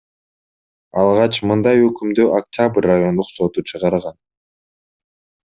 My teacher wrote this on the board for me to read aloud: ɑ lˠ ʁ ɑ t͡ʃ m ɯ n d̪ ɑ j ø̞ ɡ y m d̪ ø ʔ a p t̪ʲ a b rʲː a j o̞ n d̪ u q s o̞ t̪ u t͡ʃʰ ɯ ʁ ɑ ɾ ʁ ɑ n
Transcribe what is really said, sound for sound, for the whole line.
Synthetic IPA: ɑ lˠ ʁ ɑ t͡ʃ m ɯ n d̪ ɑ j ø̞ k y m d̪ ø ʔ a k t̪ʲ a b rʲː a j o̞ n d̪ u q s o̞ t̪ u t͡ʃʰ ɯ ʁ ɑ ɾ ʁ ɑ n